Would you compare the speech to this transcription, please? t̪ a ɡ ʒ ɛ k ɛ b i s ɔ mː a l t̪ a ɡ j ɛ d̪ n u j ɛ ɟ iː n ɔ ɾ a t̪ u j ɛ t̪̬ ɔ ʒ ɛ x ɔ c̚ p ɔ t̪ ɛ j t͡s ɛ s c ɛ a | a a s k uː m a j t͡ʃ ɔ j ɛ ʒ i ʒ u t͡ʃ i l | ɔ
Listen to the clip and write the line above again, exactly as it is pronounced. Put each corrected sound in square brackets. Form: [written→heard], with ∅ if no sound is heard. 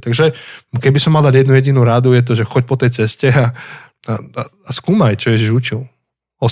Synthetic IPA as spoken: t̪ a ɡ ʒ ɛ k ɛ b i s ɔ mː a l [t̪→d̪] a [ɡ→ɟ] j ɛ d̪ n u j ɛ ɟ [iː→i] n [ɔ→u] ɾ a [t̪→d̪] u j ɛ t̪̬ ɔ ʒ ɛ x ɔ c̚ p ɔ t̪ ɛ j t͡s ɛ s c ɛ a | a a s k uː m a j t͡ʃ ɔ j ɛ ʒ i ʒ u t͡ʃ i l | ɔ